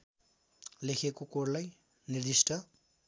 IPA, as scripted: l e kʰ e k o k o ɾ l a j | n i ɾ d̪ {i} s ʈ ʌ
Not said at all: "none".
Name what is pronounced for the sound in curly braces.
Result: i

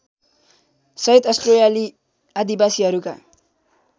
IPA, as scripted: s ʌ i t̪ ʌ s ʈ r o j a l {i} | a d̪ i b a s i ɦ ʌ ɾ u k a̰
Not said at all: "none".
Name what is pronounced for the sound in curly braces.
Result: i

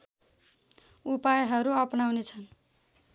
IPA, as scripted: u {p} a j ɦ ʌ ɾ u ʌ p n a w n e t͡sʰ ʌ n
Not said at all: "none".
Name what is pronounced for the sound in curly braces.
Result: p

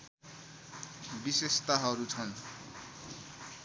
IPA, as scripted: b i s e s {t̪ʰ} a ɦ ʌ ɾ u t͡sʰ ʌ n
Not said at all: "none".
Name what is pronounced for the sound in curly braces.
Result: t̪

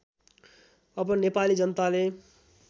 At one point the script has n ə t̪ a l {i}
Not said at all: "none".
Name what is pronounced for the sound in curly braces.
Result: e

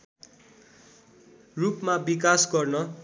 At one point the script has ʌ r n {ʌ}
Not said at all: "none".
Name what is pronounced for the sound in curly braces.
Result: ʌ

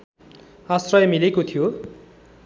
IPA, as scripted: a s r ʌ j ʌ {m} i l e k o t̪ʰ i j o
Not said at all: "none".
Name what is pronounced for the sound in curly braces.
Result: m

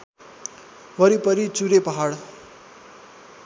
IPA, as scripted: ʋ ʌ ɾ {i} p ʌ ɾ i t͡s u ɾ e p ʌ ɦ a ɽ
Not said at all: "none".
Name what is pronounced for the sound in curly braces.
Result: i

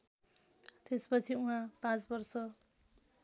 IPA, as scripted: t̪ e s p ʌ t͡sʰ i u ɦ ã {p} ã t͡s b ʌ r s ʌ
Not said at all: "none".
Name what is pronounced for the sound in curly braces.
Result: p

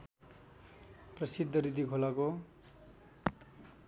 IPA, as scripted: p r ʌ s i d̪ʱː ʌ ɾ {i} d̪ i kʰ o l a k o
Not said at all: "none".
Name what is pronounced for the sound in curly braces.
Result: i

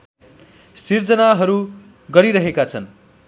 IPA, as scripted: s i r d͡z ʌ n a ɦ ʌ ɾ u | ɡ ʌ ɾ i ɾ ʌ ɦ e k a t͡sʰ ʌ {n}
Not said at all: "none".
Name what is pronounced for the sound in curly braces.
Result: n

